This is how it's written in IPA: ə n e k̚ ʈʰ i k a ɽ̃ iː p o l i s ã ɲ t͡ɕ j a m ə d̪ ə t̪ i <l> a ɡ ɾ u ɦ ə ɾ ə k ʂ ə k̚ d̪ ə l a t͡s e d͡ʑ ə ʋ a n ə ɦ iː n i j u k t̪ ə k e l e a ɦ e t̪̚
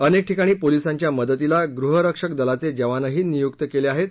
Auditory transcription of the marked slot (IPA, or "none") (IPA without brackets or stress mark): l